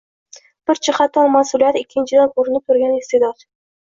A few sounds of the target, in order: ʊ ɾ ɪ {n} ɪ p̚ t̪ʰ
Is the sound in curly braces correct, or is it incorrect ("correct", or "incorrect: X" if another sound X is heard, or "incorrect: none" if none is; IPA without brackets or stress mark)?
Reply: correct